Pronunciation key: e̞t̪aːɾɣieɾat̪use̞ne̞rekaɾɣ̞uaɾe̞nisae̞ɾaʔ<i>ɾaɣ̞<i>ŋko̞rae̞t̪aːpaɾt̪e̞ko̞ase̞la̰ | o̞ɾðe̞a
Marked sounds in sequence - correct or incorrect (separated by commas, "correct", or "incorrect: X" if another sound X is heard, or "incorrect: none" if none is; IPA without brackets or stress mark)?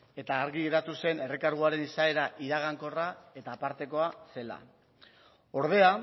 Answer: correct, incorrect: a